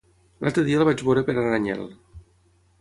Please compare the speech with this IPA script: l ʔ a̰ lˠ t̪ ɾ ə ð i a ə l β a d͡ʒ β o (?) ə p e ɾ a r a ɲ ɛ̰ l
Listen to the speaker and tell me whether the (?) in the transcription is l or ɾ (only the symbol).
ɾ